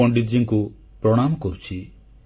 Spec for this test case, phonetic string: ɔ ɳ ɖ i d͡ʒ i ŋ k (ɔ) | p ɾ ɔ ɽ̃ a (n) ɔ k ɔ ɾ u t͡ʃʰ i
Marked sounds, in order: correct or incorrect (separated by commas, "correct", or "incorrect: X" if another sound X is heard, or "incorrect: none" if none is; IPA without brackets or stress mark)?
incorrect: u, incorrect: m